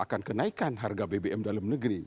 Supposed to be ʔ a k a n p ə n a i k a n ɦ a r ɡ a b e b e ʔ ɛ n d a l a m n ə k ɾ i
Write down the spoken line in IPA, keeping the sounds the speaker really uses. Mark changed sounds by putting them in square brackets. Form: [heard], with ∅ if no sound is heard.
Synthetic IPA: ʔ a k a n [k] ə n a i k a n ɦ a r ɡ a b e b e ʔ ɛ [m] d a l a m n ə [ɡ] ɾ i